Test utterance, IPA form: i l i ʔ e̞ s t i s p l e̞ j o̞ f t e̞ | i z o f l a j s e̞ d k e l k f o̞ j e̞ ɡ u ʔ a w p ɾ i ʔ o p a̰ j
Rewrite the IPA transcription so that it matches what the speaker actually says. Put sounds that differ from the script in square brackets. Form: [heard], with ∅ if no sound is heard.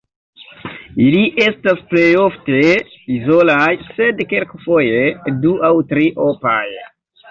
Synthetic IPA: i l i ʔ e̞ s t [a] s p l e̞ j o̞ f t e̞ | i z o [∅] l a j s e̞ d k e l k f o̞ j e̞ [d] u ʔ a w [t] ɾ i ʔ o p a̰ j